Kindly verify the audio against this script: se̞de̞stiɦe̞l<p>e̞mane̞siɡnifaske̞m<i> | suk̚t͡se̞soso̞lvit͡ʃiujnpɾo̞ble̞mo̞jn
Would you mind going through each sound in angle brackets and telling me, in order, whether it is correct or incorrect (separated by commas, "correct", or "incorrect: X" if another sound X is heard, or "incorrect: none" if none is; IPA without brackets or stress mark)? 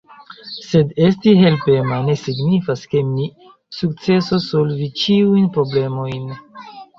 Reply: correct, correct